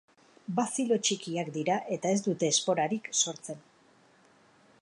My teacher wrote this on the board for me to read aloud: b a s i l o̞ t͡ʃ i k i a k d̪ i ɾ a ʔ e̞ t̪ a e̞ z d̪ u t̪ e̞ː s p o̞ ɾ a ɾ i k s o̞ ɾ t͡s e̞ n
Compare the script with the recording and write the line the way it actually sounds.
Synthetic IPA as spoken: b a s i l o̞ t͡ʃ i k i a k d̪ i ɾ a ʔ e̞ t̪ a e̞ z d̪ u t̪ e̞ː s p o̞ ɾ a ɾ i k s o̞ ɾ t͡s e̞ n